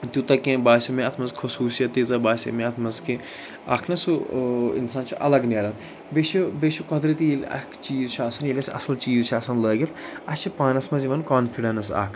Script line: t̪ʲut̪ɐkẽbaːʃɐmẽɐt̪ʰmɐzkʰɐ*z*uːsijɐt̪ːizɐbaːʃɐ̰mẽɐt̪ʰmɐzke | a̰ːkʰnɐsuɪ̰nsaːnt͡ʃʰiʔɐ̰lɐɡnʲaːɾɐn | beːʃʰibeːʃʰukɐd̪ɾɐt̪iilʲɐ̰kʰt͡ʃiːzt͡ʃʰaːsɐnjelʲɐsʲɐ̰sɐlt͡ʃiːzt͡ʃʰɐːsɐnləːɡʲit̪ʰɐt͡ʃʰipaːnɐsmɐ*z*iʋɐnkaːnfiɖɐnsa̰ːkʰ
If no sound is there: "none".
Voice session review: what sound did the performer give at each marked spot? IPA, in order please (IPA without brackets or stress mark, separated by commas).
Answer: s, z